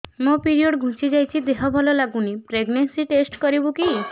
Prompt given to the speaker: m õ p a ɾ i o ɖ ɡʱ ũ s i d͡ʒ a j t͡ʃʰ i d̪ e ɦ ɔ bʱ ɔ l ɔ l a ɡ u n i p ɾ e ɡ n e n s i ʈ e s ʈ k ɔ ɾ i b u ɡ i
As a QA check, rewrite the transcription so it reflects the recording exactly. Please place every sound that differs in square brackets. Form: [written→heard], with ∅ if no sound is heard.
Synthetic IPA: m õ p [a→i] ɾ i o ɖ ɡʱ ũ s i d͡ʒ a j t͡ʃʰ i d̪ e ɦ ɔ bʱ ɔ l ɔ l a ɡ u n i p ɾ e ɡ n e n s i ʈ e s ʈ k ɔ ɾ i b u [ɡ→k] i